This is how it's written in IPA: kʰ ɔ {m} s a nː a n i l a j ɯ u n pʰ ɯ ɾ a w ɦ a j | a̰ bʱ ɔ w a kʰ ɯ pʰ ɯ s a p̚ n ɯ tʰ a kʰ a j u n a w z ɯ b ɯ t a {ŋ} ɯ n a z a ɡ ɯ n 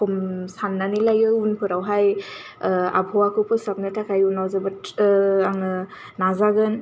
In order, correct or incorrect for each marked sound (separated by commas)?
correct, correct